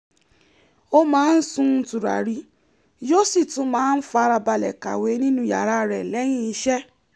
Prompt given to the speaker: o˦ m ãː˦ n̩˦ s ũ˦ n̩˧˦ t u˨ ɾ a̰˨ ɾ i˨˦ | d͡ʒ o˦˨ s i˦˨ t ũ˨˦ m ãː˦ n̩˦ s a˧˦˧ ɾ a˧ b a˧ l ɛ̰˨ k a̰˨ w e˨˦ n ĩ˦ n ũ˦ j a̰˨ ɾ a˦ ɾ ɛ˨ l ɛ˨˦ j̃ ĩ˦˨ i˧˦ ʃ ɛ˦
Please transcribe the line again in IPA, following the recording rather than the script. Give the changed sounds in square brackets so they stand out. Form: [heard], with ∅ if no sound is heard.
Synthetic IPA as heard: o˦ m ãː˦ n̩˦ s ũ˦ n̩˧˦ t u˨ ɾ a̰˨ ɾ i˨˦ | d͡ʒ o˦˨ s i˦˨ t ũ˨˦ m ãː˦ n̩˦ [f] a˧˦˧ ɾ a˧ b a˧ l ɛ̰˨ k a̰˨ w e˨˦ n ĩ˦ n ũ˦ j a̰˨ ɾ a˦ ɾ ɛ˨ l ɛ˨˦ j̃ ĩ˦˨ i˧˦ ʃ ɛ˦